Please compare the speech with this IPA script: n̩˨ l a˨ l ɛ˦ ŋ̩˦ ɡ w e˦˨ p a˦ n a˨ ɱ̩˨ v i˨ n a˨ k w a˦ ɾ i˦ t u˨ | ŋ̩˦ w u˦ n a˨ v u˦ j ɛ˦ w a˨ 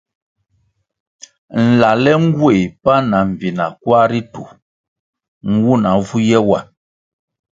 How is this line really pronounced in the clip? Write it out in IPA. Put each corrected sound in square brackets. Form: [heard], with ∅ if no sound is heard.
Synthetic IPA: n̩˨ l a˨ l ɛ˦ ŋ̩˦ ɡ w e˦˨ p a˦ n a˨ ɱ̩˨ v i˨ n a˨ k w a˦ ɾ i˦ t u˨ | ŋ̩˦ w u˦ n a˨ v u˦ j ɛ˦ w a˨

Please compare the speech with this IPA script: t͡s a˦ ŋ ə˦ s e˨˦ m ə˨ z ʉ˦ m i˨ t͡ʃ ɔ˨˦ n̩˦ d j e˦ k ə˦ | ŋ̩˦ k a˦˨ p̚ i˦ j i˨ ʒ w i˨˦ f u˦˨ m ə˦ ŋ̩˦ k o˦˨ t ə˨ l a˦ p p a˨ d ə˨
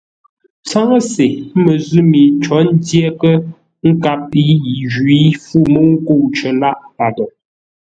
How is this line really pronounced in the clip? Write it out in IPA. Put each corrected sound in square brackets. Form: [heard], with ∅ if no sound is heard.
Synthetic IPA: t͡s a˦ ŋ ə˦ s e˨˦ m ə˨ z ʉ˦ m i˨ t͡ʃ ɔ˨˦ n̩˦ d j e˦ k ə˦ | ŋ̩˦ k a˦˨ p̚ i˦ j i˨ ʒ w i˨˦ f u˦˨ m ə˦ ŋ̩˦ k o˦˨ [t͡ʃ] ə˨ l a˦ [ʔ] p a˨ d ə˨

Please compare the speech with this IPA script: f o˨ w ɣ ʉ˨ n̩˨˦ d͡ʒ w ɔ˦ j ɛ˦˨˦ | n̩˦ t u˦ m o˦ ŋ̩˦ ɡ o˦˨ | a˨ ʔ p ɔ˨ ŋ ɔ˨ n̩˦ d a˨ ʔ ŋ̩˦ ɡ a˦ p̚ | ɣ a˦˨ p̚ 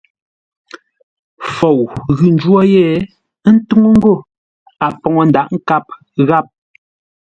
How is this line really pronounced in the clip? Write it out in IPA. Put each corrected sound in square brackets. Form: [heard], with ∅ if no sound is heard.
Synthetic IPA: f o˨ w ɣ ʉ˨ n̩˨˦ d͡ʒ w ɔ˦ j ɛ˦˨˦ | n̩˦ t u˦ [ŋ] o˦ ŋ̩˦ ɡ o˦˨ | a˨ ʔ p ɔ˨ ŋ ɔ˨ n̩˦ d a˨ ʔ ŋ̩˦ [k] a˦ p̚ | ɣ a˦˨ p̚

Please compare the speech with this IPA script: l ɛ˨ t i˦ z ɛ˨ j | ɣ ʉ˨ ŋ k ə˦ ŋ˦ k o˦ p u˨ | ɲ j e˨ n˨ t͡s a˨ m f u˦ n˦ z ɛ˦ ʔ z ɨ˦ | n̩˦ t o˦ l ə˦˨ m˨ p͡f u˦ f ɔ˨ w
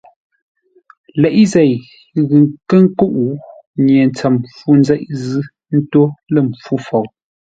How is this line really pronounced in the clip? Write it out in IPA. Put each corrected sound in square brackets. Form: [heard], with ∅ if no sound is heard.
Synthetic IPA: l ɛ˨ [ʔ] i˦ z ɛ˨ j | ɣ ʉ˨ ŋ k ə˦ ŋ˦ k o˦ [ʔ] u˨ | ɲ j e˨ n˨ t͡s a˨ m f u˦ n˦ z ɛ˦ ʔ z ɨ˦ | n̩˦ t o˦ l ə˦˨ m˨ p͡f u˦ f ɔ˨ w

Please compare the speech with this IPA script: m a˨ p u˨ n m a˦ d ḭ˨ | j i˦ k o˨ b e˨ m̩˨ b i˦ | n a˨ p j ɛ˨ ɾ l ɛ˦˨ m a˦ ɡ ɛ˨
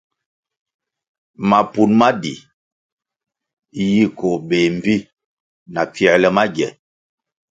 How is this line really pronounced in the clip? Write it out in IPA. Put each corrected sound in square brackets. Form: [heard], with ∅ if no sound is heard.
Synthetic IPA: m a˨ p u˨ n m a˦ d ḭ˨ | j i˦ k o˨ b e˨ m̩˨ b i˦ | n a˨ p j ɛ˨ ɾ l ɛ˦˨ m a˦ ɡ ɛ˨

